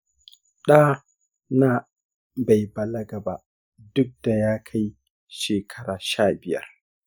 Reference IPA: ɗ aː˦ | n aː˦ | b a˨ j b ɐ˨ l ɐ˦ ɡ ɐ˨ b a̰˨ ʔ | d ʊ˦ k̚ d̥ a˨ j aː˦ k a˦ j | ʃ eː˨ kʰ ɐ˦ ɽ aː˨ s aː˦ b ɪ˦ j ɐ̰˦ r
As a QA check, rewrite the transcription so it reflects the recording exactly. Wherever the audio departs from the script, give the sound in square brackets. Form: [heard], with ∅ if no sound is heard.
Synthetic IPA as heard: ɗ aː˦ | n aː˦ | b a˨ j b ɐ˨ l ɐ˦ ɡ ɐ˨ b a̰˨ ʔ | d ʊ˦ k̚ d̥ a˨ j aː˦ [kʰ] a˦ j | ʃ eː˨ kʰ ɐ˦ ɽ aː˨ [ʃ] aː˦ b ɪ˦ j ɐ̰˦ r